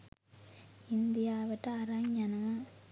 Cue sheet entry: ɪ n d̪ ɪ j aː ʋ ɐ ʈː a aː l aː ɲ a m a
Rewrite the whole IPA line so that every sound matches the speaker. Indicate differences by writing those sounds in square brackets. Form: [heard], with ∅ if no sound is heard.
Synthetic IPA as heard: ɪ n d̪ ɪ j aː ʋ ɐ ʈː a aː [ɾ] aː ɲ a [n] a